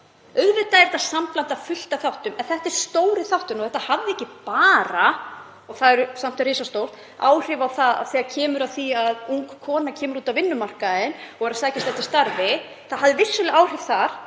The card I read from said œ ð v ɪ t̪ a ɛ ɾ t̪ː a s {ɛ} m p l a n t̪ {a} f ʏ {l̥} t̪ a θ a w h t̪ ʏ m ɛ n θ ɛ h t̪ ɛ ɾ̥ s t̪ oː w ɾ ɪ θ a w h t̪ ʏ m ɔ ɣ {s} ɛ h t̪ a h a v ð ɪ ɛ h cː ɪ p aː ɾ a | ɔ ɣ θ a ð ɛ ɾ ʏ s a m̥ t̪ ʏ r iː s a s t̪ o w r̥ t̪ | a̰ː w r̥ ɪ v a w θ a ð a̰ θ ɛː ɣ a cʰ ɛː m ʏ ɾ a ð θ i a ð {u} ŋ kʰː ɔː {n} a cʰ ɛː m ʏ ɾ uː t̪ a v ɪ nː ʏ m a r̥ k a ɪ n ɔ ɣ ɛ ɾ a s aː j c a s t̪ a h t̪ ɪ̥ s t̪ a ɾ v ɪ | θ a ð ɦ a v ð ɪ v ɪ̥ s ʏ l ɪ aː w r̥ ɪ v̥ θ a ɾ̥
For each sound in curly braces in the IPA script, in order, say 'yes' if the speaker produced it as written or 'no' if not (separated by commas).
no, yes, yes, no, yes, yes